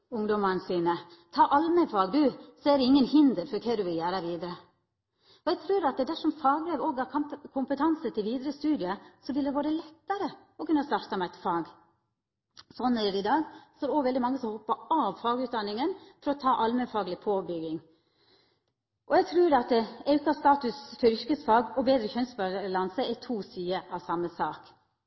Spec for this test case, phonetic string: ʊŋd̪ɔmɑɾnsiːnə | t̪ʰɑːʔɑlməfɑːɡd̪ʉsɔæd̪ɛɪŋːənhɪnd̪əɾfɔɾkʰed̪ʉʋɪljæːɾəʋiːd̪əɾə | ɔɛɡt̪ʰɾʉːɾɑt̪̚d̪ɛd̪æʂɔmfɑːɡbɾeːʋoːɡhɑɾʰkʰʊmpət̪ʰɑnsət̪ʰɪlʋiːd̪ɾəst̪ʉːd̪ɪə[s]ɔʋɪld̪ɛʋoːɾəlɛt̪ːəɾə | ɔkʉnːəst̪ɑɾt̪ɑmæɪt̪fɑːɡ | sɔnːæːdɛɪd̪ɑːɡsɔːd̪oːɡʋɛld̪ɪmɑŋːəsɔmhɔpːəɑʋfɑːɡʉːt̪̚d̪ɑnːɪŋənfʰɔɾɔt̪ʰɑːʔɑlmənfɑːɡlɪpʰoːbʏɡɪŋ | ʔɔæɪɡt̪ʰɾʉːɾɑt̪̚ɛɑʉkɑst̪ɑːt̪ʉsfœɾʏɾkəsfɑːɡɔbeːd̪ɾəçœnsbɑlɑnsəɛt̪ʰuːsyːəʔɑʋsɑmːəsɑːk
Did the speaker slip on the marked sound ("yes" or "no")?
no